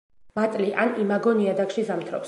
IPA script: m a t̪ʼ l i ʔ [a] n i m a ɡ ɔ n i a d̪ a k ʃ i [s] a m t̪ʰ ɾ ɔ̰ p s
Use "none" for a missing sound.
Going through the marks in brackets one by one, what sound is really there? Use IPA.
a, z

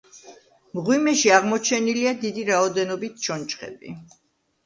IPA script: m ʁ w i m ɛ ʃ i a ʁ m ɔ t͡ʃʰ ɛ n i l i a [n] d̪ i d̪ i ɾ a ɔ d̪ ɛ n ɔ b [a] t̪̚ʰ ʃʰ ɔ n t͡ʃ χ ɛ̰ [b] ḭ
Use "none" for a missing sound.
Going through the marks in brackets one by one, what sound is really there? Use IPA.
none, i, b

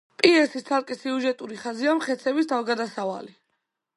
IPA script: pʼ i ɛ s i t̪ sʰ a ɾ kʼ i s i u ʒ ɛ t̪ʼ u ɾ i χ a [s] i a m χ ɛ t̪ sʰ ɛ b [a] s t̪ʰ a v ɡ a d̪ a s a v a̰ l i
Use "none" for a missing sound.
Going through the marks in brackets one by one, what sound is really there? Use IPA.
z, i

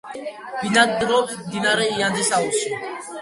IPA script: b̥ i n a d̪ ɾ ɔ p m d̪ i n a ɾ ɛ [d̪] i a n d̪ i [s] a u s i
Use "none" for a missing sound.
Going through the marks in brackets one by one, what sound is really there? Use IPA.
none, s

